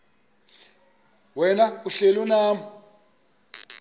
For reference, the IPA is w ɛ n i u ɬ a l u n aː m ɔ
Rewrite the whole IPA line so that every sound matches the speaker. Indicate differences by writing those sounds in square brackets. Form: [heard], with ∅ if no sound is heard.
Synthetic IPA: w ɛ n [a] u ɬ [e] l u n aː m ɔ